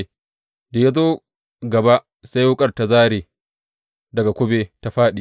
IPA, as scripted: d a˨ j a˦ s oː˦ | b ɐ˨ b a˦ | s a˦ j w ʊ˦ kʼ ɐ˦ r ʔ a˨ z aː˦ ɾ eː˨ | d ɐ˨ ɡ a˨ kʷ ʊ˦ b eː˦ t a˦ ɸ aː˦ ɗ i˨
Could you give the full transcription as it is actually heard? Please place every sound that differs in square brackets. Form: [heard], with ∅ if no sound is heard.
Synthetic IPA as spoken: d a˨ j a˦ [z] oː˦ | [ɡ] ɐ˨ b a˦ | s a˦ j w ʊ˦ kʼ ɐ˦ r [t] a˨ z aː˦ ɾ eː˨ | d ɐ˨ ɡ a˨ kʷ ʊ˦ b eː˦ t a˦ ɸ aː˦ ɗ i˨